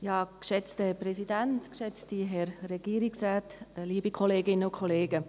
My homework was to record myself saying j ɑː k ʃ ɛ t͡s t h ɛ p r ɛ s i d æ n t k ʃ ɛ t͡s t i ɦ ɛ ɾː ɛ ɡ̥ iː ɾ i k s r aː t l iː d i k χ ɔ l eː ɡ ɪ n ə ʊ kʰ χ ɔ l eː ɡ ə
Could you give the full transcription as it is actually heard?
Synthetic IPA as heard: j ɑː k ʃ ɛ t͡s t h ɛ p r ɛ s i d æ n t k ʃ ɛ t͡s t i ɦ ɛ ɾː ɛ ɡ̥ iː ɾ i k s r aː t l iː b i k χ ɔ l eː ɡ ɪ n ə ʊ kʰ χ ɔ l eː ɡ ə